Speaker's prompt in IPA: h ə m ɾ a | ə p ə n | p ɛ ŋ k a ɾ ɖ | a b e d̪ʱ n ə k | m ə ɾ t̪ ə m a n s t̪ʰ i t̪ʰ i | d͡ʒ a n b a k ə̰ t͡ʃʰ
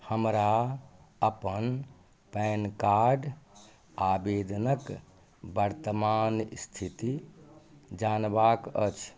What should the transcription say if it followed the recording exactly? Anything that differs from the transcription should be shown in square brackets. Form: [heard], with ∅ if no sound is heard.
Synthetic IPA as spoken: h ə m ɾ a | ə p ə n | p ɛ [n] k a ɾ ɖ | a b e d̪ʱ n ə k | [b] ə ɾ t̪ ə m a n s t̪ʰ i [t̪] i | d͡ʒ a n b a k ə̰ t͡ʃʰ